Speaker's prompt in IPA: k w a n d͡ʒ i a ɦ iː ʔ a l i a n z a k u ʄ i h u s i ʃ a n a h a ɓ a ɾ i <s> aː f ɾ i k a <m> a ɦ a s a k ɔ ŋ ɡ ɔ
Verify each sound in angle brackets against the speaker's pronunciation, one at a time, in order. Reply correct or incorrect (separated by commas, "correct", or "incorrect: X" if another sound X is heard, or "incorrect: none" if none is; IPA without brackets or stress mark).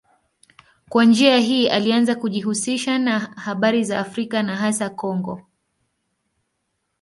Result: incorrect: z, incorrect: n